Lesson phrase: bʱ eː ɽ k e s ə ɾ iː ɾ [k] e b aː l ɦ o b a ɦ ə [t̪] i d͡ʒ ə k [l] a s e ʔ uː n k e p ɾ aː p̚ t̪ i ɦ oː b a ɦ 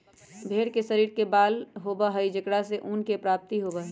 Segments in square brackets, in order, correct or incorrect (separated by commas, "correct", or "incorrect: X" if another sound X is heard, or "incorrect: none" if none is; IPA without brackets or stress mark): correct, incorrect: none, incorrect: ɽ